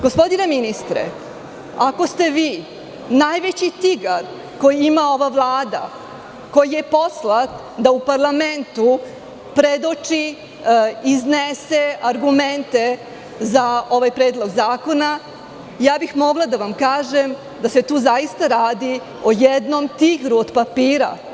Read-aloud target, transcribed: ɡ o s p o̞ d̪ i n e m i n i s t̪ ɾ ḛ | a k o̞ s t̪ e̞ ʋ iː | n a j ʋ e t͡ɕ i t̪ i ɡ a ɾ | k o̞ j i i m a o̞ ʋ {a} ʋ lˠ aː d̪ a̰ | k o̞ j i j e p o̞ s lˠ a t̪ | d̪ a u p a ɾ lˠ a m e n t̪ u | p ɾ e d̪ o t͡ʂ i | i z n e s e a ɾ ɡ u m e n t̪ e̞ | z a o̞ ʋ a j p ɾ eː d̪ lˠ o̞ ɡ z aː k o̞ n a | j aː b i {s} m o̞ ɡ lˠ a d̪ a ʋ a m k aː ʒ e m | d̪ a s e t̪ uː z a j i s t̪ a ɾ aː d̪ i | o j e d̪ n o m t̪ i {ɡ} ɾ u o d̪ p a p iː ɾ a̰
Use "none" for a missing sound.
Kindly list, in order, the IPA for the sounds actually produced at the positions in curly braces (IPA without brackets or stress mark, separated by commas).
a, x, ɡ